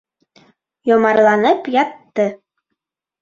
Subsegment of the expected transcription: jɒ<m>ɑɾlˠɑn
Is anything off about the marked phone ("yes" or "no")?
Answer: no